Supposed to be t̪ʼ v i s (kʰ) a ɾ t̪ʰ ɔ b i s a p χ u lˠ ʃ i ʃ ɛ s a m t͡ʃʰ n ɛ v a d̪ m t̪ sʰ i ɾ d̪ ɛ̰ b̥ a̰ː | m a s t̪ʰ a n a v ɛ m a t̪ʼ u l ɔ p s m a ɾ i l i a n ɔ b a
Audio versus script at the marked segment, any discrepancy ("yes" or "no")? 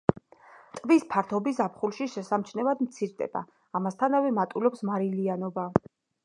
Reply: yes